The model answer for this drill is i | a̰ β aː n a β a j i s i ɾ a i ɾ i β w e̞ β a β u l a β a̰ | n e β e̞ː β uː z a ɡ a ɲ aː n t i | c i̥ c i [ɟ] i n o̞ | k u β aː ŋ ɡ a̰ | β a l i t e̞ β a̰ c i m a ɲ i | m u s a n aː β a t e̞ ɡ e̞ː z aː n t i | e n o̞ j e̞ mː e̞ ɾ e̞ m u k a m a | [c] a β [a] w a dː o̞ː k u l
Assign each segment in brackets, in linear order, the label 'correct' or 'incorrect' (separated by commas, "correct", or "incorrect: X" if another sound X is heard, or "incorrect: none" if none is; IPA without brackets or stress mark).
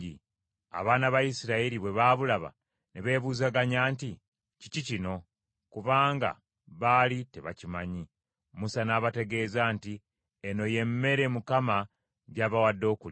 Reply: incorrect: c, incorrect: ɟ, correct